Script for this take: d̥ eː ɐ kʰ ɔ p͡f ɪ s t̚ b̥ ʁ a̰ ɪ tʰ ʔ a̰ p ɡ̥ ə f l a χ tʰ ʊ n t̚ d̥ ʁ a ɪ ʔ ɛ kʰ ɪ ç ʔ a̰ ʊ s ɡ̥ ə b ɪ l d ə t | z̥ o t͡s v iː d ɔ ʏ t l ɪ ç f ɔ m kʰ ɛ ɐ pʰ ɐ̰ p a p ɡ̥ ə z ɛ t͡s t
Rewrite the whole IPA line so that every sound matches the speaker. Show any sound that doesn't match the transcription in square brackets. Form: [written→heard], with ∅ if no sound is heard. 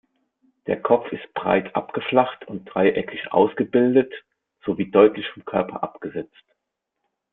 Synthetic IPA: d̥ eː ɐ kʰ ɔ p͡f ɪ s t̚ b̥ ʁ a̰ ɪ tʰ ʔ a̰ p ɡ̥ ə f l a χ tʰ ʊ n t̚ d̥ ʁ a ɪ ʔ ɛ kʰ ɪ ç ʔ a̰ ʊ s ɡ̥ ə b ɪ l d ə t | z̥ o [t͡s→∅] v iː d ɔ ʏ t l ɪ ç f ɔ m kʰ [ɛ→œ] ɐ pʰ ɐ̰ [p→ʔ] a p ɡ̥ ə z ɛ t͡s t